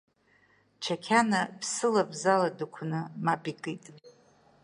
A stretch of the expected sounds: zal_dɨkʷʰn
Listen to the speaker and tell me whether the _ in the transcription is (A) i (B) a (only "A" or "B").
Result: B